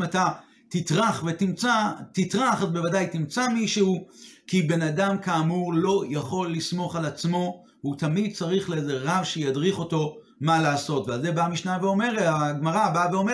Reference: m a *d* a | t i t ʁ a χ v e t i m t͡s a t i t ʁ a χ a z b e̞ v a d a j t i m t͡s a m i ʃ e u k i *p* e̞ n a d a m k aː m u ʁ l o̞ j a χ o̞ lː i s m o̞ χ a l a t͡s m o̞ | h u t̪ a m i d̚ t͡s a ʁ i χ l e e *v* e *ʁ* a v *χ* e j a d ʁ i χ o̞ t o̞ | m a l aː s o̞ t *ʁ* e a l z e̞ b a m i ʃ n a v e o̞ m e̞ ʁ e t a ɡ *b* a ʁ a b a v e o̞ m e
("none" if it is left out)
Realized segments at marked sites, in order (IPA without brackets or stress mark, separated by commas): t, b, z, ʁ, ʃ, v, m